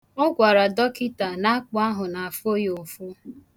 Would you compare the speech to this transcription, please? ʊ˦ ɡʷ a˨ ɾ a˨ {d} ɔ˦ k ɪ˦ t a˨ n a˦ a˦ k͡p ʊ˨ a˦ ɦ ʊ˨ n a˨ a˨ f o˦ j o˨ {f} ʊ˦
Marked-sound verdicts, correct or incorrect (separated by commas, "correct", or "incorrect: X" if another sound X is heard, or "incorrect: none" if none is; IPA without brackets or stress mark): correct, correct